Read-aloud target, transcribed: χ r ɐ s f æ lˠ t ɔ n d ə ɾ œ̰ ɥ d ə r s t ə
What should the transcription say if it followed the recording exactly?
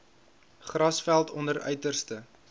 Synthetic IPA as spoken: χ r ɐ s f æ lˠ t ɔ n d ə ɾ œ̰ ɥ t ə r s t ə